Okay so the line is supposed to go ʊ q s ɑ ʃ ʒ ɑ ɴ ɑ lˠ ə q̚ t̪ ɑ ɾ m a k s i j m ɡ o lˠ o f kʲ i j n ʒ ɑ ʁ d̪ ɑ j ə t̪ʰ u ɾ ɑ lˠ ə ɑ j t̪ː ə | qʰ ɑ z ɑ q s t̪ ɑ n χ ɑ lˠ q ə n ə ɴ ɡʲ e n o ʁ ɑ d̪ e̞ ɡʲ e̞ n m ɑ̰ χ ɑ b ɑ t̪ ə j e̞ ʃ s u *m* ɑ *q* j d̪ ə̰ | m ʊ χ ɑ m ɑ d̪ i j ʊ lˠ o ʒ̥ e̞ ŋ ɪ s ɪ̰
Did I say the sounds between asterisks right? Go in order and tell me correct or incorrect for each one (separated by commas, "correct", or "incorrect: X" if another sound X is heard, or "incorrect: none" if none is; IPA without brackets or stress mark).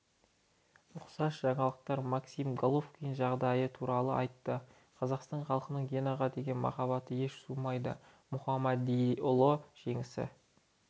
correct, incorrect: none